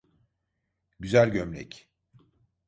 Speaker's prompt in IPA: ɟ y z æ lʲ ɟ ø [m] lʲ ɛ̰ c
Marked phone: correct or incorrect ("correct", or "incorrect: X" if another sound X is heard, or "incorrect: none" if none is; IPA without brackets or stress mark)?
correct